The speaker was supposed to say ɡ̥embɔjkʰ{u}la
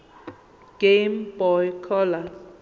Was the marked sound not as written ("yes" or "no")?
yes